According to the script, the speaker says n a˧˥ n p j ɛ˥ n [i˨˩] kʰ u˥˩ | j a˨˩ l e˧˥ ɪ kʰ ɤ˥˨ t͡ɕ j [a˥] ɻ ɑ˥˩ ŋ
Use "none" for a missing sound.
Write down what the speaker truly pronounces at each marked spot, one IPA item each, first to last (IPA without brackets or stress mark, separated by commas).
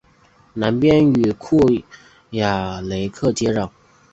y˨˩, ɛ˥